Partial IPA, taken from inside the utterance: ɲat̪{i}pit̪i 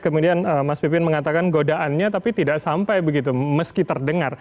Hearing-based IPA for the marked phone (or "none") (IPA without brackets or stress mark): a